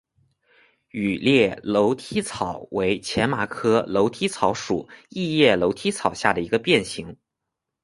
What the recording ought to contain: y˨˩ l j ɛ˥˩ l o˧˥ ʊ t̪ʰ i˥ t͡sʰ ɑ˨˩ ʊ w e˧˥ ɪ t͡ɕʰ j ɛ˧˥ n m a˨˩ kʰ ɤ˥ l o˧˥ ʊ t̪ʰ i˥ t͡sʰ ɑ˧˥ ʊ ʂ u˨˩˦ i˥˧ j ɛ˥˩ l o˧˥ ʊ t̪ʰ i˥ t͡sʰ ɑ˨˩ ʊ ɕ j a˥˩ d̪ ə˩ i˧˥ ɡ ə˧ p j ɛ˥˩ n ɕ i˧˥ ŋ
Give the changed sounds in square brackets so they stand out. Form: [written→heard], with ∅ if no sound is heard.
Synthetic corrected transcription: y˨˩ l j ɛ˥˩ l o˧˥ ʊ t̪ʰ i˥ t͡sʰ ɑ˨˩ ʊ w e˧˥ ɪ t͡ɕʰ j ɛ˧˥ n m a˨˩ kʰ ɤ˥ l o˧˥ ʊ t̪ʰ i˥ t͡sʰ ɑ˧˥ ʊ ʂ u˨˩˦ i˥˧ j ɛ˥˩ l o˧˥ ʊ t̪ʰ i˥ t͡sʰ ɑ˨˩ ʊ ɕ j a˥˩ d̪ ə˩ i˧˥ ɡ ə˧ p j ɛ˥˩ n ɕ i˧˥ ŋ

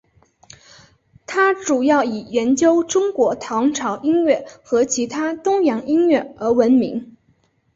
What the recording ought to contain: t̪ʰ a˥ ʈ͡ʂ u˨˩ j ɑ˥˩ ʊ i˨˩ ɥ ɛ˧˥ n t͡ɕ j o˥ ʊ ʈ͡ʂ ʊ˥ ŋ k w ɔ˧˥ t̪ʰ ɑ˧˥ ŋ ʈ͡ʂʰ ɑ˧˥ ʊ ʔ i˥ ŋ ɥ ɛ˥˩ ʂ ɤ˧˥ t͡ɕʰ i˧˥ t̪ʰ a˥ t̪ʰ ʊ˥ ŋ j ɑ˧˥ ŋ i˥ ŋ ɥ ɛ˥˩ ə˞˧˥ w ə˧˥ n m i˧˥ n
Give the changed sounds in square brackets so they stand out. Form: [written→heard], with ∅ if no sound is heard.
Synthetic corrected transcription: t̪ʰ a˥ ʈ͡ʂ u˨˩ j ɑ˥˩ ʊ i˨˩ ɥ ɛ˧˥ n t͡ɕ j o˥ ʊ ʈ͡ʂ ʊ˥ ŋ k w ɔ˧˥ t̪ʰ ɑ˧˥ ŋ ʈ͡ʂʰ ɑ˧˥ ʊ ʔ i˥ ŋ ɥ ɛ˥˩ [ʂ→x] ɤ˧˥ t͡ɕʰ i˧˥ t̪ʰ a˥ [t̪ʰ→t̪] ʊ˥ ŋ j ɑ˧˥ ŋ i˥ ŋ ɥ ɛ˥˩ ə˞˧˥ w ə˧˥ n m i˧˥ [n→ŋ]

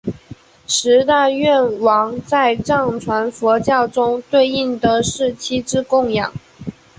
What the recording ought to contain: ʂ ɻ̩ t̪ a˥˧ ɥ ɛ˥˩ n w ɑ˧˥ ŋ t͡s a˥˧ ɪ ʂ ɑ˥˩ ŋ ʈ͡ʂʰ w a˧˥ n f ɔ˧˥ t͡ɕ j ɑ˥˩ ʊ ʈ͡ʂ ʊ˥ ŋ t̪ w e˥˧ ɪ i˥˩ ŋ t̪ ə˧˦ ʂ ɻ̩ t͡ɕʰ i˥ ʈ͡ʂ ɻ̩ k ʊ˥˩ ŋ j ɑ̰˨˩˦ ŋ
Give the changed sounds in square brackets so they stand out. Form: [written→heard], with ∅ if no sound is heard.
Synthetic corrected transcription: ʂ ɻ̩ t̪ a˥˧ ɥ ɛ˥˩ n w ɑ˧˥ ŋ t͡s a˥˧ ɪ [ʂ→ʈ͡ʂ] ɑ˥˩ ŋ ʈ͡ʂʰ w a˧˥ n f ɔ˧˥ t͡ɕ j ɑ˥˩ ʊ ʈ͡ʂ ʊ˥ ŋ t̪ w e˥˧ ɪ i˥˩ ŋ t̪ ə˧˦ ʂ ɻ̩ t͡ɕʰ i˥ ʈ͡ʂ ɻ̩ k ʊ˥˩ ŋ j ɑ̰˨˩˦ ŋ

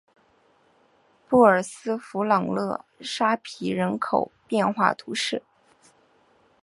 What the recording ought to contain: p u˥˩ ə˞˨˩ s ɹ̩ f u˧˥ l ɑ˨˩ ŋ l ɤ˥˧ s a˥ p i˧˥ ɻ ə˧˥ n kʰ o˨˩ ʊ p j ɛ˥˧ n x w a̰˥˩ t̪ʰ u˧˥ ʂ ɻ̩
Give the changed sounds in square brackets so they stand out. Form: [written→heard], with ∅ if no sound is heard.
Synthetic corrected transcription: p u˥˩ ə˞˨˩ s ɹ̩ f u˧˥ l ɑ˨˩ ŋ l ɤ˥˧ [s→ʂ] a˥ [p→pʰ] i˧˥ ɻ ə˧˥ n kʰ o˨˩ ʊ p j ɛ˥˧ n x w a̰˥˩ t̪ʰ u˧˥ ʂ ɻ̩

